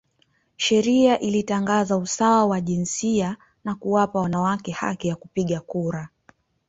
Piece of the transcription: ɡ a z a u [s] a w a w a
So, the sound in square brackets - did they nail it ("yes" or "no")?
yes